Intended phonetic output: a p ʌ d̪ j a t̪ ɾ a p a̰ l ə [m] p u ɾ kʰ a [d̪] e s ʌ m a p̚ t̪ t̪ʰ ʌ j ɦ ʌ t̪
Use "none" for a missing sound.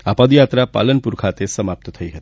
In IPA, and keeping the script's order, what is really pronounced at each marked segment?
n, t̪

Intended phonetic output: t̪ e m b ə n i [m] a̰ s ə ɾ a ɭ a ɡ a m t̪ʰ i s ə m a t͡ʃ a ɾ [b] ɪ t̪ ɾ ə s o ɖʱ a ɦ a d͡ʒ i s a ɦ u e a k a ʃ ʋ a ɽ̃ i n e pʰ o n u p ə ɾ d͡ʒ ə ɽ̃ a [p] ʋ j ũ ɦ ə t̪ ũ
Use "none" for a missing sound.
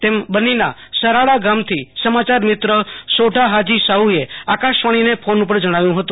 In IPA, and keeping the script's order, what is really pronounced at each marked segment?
n, m, none

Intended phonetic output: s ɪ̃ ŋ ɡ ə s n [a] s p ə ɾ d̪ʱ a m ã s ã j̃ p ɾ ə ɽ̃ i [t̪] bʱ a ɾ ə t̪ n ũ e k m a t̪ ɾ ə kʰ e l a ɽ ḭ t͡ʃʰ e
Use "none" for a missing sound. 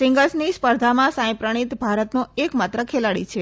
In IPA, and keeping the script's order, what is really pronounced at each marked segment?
i, t̪

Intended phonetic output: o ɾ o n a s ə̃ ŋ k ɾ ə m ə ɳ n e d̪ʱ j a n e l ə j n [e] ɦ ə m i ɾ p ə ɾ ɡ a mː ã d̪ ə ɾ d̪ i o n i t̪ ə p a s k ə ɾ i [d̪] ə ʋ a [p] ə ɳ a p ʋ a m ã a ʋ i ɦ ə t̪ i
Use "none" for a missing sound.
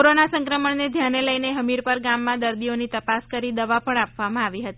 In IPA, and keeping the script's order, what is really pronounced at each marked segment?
e, d̪, p

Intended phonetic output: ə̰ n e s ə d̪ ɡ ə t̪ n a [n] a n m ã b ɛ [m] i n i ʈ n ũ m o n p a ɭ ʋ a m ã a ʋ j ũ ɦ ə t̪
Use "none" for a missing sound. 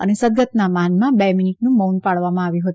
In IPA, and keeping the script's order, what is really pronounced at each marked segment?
m, m

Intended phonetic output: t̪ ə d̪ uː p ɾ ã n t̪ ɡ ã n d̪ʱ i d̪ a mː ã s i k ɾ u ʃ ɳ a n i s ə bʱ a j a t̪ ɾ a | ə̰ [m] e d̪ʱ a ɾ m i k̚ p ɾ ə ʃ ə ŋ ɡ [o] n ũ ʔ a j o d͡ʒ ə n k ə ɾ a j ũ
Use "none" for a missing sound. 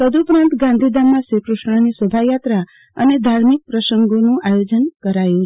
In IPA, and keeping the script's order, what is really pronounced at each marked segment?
n, o

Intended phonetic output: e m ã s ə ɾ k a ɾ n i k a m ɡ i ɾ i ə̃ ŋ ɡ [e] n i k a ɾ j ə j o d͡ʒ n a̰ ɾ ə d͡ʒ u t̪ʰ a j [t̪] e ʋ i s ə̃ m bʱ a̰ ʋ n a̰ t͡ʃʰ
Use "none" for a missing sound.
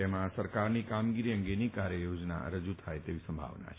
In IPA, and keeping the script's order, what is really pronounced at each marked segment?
e, t̪

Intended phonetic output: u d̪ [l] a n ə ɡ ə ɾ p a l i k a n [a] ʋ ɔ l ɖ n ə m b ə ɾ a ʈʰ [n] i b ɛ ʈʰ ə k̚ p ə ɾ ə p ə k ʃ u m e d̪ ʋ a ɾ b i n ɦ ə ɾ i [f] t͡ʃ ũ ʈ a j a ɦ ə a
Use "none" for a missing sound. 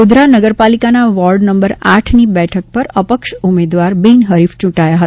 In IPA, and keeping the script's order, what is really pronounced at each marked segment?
ɾ, a, n, f

